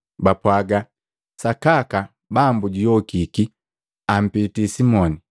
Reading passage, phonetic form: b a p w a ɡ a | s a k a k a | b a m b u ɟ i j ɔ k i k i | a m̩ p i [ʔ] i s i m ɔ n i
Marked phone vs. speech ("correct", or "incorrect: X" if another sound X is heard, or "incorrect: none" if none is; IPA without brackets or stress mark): incorrect: t